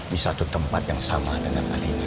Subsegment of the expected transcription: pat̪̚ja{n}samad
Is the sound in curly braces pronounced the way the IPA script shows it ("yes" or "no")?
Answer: no